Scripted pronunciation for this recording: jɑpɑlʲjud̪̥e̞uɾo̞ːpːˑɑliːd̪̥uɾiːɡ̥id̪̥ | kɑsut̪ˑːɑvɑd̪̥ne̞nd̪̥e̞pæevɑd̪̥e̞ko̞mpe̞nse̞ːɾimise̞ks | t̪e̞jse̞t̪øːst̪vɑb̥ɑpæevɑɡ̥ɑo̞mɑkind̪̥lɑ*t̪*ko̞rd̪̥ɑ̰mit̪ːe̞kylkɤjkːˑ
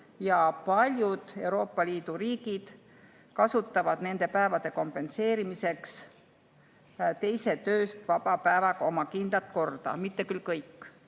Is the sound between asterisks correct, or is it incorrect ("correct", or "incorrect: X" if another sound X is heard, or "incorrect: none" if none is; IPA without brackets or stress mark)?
correct